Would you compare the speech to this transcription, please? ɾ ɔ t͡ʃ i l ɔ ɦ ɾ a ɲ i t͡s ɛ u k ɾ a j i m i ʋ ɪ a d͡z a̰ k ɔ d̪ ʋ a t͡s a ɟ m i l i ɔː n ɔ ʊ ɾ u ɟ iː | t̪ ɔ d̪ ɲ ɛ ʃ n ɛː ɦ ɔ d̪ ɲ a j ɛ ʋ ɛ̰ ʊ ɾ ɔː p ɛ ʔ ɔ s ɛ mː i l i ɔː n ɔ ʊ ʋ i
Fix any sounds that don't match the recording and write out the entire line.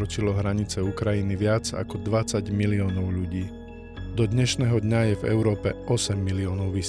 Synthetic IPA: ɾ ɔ t͡ʃ i l ɔ ɦ ɾ a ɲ i t͡s ɛ u k ɾ a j i n i ʋ ɪ a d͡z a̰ k ɔ d̪ ʋ a t͡s a ɟ m i l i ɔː n ɔ ʊ ʎ u ɟ iː | d̪ ɔ d̪ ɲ ɛ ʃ n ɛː ɦ ɔ d̪ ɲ a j ɛ v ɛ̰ ʊ ɾ ɔː p ɛ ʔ ɔ s ɛ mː i l i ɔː n ɔ ʊ ʋ i